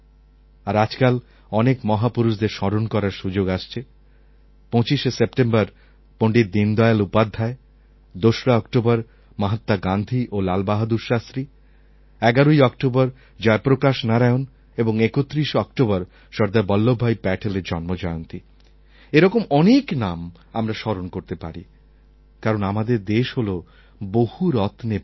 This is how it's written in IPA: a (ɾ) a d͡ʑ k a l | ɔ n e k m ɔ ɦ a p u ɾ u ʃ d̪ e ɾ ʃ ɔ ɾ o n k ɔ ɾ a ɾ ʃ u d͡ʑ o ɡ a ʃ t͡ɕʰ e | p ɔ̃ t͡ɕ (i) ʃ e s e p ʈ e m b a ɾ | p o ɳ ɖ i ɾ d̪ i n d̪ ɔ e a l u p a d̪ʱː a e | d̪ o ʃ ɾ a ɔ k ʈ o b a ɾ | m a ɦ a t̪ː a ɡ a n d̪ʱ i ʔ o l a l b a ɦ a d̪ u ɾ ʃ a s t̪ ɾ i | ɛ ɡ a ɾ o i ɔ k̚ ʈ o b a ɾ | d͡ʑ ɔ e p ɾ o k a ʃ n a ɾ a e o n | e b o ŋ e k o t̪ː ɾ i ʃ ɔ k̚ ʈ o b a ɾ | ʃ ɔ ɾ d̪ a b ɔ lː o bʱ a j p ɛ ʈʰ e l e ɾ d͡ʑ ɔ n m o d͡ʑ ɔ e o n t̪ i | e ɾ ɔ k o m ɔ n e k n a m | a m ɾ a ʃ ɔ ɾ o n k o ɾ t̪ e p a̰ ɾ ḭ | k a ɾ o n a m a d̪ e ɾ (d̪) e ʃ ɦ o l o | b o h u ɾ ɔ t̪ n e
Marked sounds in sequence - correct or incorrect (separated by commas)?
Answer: correct, correct, correct